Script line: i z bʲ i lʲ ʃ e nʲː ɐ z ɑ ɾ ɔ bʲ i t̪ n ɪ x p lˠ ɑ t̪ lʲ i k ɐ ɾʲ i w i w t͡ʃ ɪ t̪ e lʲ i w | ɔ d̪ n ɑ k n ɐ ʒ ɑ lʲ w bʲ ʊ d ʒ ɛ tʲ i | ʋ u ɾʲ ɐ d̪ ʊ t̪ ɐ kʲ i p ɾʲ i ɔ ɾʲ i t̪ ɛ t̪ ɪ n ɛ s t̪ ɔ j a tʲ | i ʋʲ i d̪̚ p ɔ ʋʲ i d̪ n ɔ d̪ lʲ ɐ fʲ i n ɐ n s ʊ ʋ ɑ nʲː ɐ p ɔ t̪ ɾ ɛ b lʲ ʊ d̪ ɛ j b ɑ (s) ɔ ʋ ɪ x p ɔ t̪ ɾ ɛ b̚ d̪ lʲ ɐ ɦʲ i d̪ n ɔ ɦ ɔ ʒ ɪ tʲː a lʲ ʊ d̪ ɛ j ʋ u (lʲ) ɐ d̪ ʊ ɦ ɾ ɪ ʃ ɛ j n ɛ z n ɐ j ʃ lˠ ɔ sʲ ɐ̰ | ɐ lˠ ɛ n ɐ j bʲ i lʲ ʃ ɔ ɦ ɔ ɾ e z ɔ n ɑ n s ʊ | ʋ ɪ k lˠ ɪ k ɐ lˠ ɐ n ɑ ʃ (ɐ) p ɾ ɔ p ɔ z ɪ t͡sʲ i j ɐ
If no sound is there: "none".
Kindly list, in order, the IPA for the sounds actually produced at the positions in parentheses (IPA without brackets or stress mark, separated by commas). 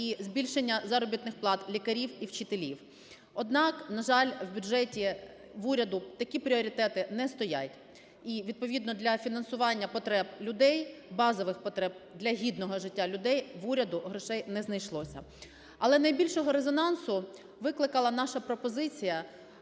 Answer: z, ɾʲ, ɐ